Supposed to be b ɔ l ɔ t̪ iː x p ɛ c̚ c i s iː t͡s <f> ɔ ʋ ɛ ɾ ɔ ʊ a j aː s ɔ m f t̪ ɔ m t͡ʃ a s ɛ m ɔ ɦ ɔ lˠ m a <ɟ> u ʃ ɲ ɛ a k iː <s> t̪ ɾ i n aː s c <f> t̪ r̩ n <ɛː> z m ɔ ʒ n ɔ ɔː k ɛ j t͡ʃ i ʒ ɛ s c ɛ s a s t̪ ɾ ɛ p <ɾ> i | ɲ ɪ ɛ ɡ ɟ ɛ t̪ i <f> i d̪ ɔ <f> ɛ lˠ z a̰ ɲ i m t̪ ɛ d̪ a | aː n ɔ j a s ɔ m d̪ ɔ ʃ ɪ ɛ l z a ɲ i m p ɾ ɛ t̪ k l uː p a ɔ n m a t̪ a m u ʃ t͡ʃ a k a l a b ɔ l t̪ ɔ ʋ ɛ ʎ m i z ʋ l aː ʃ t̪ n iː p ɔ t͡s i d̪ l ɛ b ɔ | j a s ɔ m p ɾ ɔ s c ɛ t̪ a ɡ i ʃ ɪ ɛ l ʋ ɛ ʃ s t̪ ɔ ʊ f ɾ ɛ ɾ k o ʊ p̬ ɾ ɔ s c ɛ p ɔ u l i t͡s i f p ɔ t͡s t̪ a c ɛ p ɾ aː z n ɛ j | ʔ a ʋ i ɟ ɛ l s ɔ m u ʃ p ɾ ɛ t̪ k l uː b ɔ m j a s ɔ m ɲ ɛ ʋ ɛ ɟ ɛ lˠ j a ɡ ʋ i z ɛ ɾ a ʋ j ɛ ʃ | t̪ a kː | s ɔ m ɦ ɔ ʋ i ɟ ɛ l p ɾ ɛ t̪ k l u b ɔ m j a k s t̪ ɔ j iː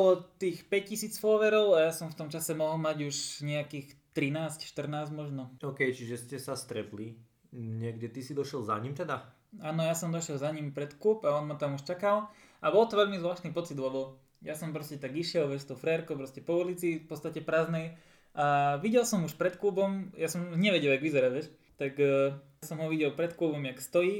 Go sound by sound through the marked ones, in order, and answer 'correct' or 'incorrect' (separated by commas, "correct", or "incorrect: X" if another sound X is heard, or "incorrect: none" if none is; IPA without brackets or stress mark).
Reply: correct, correct, incorrect: x, incorrect: ʃ, incorrect: aː, incorrect: l, incorrect: s, incorrect: ʃ